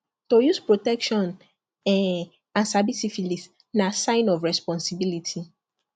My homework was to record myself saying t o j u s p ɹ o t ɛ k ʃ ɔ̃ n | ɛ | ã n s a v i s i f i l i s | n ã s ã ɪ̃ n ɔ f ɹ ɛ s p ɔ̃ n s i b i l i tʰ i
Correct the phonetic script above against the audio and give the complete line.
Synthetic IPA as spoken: t o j u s p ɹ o t ɛ k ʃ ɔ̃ n | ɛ | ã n s a b i s i f i l i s | n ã s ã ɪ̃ n ɔ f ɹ ɛ s p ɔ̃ n s i b i l i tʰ i